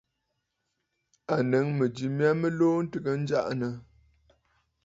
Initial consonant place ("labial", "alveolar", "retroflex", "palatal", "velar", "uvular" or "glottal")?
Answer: alveolar